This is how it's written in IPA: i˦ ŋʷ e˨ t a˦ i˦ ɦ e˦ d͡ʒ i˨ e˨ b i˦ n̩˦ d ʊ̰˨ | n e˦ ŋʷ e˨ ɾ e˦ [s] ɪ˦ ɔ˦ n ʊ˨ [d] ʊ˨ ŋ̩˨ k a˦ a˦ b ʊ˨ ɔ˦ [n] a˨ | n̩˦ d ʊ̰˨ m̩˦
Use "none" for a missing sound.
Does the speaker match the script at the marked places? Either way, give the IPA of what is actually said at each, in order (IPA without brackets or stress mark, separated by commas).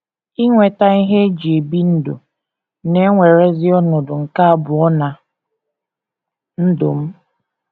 z, d, n